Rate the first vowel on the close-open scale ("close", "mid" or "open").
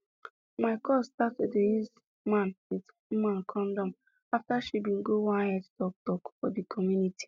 open